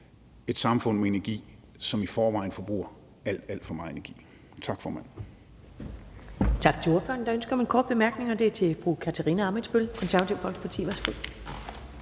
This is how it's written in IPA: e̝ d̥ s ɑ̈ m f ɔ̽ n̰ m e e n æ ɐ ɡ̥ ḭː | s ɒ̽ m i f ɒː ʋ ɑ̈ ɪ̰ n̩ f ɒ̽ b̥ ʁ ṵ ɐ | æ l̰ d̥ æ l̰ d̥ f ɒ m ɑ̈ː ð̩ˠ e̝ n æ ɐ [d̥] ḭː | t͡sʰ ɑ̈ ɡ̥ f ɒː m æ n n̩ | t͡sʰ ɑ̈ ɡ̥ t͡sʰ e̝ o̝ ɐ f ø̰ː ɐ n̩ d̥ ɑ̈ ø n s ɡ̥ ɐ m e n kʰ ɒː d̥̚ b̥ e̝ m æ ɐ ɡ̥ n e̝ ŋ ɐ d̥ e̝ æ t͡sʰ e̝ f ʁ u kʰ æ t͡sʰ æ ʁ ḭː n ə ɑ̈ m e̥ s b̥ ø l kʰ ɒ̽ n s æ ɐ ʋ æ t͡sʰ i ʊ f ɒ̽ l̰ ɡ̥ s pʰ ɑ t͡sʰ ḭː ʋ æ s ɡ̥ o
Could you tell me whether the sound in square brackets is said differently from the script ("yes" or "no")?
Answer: yes